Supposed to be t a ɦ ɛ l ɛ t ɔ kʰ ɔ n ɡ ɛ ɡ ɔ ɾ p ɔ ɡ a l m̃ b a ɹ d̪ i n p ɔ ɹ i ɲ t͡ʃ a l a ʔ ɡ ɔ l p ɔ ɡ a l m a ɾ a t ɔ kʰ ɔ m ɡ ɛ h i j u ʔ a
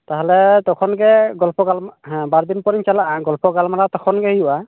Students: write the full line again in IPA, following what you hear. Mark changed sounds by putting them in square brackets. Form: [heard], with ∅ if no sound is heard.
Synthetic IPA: t a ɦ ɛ l ɛ t ɔ kʰ ɔ n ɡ ɛ ɡ ɔ [l] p ɔ ɡ a l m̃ b a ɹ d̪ i n p ɔ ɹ i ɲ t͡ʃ a l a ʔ ɡ ɔ l p ɔ ɡ a l m a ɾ a t ɔ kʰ ɔ [n] ɡ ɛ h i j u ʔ a